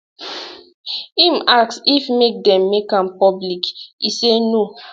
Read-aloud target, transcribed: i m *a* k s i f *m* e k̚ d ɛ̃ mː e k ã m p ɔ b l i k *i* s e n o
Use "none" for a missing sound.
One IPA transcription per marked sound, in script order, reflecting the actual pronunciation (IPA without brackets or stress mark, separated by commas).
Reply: a, m, i